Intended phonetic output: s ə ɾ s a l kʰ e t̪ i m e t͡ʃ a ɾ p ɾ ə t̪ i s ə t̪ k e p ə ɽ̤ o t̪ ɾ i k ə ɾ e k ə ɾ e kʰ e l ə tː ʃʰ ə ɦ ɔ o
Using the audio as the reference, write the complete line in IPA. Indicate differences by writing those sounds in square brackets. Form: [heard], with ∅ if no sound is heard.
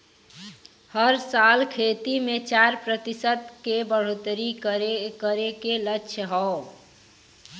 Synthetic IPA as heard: [h] ə ɾ s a l kʰ e t̪ i m e t͡ʃ a ɾ p ɾ ə t̪ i s ə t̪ k e [b] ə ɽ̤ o t̪ ɾ i k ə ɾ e k ə ɾ e [k] e l ə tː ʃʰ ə ɦ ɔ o